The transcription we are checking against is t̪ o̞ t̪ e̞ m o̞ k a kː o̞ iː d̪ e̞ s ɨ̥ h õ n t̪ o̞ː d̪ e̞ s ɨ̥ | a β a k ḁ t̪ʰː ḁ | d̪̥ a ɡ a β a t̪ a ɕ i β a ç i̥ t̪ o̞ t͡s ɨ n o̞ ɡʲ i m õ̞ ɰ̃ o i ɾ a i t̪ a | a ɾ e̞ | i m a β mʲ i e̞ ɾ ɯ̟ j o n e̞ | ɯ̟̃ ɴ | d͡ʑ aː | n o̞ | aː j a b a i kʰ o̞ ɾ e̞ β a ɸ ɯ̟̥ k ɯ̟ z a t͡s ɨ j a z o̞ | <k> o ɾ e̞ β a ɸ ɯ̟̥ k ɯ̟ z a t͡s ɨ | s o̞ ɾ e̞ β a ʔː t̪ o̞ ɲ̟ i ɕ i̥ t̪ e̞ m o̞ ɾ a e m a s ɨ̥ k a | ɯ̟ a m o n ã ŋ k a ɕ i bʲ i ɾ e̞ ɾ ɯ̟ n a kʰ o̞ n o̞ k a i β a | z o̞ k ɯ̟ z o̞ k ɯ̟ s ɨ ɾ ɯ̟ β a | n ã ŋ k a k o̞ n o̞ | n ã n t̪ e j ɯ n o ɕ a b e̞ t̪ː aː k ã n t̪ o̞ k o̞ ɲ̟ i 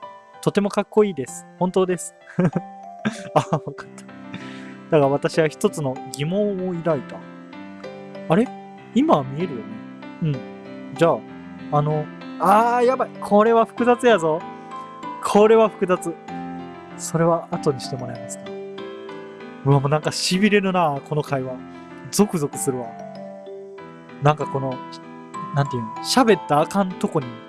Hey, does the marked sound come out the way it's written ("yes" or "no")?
no